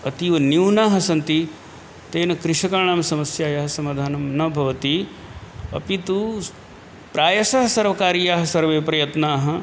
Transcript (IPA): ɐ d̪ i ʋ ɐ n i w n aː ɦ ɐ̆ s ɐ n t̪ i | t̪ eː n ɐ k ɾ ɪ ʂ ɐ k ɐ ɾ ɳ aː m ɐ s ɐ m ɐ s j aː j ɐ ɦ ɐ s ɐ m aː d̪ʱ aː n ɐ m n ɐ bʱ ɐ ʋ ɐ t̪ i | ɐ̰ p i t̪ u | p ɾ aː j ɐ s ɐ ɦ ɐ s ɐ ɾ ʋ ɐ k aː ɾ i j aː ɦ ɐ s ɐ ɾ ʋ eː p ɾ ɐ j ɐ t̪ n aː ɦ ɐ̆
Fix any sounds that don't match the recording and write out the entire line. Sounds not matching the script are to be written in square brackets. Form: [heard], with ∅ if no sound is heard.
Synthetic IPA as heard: ɐ [t̪] i ʋ ɐ n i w n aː ɦ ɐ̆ s ɐ n t̪ i | t̪ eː n ɐ k ɾ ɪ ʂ ɐ k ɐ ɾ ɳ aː m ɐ s ɐ m ɐ s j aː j ɐ ɦ ɐ s ɐ m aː d̪ʱ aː n ɐ m n ɐ bʱ ɐ ʋ ɐ t̪ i | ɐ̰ p i t̪ u | p ɾ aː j ɐ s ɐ ɦ ɐ s ɐ ɾ ʋ ɐ k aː ɾ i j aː ɦ ɐ s ɐ ɾ ʋ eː p ɾ ɐ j ɐ t̪ n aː ɦ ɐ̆